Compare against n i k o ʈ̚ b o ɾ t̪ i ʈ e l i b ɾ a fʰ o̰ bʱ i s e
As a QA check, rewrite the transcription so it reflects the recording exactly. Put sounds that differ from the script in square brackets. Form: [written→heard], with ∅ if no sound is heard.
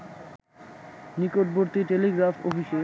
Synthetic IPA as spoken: n i k o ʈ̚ b o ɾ t̪ i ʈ e l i [b→ɡ] ɾ a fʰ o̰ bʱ i [s→ʃ] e